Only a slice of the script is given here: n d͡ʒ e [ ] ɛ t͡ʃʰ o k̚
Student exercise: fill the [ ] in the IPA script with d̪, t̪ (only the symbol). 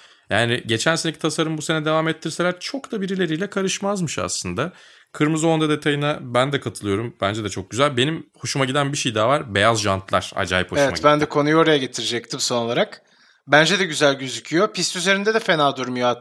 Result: d̪